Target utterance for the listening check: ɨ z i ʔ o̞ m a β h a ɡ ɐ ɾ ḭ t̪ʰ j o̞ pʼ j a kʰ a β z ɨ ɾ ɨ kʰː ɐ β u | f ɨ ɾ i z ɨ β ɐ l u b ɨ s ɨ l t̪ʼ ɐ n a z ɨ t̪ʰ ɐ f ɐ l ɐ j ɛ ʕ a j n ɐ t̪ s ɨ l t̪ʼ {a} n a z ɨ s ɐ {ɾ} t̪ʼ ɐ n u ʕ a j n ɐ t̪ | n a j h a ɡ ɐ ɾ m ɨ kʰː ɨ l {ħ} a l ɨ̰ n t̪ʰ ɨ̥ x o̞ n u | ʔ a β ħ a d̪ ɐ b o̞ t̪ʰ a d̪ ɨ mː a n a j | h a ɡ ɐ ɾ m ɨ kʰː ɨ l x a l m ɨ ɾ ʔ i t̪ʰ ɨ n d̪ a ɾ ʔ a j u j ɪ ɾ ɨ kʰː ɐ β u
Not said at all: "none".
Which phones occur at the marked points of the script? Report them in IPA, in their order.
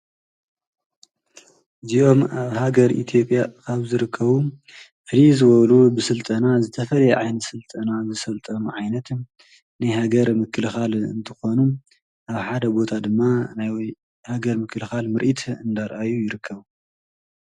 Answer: ɐ, l, x

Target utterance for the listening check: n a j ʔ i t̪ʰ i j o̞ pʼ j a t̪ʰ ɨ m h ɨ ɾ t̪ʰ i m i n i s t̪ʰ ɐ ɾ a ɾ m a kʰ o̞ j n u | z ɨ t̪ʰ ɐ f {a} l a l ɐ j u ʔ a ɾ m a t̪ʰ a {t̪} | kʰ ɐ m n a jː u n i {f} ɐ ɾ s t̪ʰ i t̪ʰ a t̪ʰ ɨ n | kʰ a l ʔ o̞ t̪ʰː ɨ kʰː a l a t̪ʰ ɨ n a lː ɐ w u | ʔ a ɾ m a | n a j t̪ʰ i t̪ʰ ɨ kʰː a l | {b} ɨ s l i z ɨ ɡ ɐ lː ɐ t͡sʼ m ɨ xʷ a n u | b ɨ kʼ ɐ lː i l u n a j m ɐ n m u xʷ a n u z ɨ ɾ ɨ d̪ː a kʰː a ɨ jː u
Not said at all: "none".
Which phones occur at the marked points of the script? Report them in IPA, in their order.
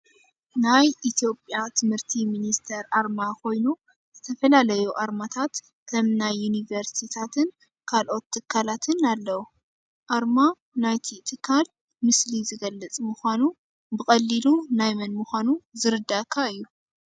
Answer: ɐ, t̪, v, m

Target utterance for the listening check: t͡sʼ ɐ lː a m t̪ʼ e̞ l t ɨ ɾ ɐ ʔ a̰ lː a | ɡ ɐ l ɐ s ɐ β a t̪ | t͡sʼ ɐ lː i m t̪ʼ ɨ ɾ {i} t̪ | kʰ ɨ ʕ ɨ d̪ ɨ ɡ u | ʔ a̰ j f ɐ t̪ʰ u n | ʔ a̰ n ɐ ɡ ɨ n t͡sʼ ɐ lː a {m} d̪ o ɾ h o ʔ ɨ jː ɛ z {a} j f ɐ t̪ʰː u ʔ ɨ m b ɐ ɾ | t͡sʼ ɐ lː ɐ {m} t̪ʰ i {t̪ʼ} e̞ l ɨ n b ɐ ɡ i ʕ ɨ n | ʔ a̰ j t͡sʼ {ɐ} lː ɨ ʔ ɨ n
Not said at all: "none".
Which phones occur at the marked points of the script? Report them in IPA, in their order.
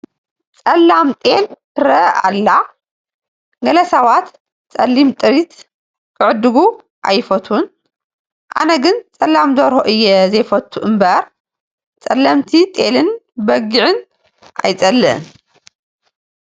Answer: i, m, ɐ, m, t̪ʼ, ɐ

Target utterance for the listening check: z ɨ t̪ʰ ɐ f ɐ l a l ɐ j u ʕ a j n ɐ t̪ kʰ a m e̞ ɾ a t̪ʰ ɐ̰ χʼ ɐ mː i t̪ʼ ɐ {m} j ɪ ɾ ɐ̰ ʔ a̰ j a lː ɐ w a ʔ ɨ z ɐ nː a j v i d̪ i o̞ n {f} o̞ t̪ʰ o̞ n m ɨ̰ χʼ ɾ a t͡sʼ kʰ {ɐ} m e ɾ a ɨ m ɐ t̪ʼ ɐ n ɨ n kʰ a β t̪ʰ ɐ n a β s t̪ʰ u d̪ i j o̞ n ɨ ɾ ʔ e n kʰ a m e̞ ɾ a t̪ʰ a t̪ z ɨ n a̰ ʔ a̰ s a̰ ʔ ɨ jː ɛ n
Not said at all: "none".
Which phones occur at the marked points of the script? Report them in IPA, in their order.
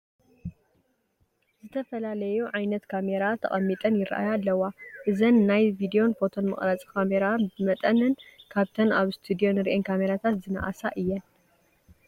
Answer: n, f, a

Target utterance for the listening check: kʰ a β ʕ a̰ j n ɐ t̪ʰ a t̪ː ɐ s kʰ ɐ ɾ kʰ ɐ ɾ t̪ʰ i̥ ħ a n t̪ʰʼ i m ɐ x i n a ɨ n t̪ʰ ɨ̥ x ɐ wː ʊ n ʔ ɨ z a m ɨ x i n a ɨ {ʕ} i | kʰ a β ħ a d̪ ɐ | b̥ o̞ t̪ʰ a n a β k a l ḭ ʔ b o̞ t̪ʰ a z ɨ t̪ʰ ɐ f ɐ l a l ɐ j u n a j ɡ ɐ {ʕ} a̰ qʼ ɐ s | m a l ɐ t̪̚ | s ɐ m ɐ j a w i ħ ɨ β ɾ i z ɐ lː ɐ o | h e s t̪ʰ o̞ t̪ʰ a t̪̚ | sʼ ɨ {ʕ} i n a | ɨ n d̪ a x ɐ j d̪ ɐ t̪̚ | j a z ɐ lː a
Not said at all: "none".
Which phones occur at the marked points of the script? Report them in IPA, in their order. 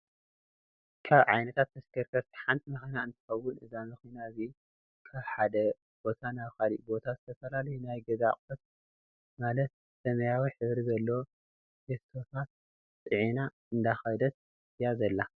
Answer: z, z, ʕ

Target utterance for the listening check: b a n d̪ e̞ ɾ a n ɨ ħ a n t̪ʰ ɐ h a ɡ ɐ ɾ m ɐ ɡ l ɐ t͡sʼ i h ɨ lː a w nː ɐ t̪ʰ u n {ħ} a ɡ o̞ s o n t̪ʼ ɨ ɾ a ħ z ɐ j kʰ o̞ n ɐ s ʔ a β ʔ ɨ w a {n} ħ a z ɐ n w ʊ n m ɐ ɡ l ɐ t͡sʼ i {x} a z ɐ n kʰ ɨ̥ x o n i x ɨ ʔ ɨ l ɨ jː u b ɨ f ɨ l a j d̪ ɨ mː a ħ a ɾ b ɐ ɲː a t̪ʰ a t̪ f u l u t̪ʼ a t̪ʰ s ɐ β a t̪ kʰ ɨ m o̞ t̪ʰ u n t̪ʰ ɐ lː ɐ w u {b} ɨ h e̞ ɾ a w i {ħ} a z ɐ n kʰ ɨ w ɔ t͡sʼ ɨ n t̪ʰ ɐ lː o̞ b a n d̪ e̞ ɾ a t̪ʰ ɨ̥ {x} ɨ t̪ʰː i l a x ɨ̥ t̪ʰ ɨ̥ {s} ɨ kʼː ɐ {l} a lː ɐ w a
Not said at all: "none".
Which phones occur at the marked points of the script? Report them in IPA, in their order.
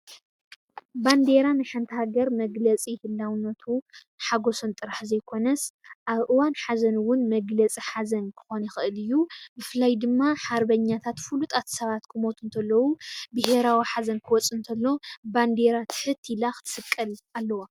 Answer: ħ, n, ħ, b, ħ, ħ, s, l

